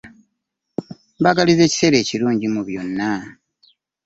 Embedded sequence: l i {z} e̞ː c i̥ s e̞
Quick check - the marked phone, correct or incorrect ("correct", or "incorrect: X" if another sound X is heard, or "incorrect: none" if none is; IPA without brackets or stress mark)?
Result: correct